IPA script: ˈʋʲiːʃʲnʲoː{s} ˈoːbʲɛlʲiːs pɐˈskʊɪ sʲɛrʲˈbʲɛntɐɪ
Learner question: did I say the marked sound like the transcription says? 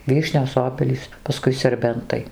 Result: yes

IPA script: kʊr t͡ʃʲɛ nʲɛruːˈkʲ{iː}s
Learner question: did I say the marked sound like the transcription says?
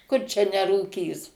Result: yes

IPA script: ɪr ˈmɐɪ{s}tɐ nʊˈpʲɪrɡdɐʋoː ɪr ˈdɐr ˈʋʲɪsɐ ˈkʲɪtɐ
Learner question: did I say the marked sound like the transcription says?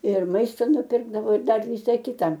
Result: yes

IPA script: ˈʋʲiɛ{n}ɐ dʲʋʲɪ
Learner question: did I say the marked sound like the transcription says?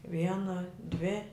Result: yes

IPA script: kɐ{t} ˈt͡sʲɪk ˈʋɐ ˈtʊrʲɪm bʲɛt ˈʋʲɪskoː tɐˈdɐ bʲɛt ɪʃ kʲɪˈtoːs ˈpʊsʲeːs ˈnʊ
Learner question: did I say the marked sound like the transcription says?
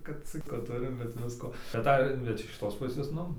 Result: yes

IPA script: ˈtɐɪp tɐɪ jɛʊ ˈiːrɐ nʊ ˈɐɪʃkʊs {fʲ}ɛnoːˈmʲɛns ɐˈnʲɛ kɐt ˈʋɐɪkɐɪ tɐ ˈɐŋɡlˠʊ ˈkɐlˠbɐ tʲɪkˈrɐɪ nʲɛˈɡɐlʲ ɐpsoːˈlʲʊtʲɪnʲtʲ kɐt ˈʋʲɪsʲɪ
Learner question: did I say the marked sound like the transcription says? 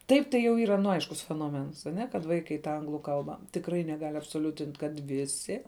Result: yes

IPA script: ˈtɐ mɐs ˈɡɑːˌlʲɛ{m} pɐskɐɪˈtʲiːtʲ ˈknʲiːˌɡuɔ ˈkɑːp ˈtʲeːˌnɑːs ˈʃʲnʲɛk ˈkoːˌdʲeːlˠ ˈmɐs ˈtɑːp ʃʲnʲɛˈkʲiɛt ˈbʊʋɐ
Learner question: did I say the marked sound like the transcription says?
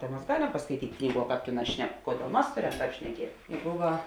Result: yes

